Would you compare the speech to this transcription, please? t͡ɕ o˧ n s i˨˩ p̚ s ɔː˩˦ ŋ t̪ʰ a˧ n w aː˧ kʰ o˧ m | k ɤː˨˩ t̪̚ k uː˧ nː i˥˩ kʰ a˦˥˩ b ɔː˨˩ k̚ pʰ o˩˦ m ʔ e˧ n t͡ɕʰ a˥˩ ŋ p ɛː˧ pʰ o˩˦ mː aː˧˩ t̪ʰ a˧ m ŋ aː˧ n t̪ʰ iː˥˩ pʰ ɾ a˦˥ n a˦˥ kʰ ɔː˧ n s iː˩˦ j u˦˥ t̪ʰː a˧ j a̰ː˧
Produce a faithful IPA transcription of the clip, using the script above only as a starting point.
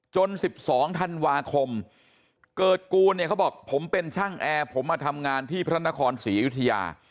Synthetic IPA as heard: t͡ɕ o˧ n s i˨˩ p̚ s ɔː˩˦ ŋ t̪ʰ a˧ n w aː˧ kʰ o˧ m | k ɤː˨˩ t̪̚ k uː˧ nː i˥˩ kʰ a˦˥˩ b ɔː˨˩ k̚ pʰ o˩˦ m p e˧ n t͡ɕʰ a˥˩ ŋ ʔ ɛː˧ pʰ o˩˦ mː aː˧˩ t̪ʰ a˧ m ŋ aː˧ n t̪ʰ iː˥˩ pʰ ɾ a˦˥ n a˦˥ kʰ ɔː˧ n s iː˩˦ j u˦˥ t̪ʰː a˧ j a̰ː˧